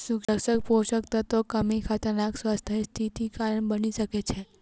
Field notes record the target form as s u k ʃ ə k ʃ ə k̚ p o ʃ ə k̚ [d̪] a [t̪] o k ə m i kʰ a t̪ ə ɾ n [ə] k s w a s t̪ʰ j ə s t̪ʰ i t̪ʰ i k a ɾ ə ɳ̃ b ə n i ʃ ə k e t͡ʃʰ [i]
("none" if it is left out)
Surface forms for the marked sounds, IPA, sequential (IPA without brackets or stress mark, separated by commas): t̪, t̪, a, e